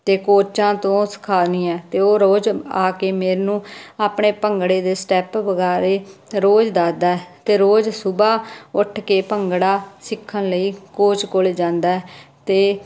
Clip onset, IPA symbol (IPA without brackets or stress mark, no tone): t̪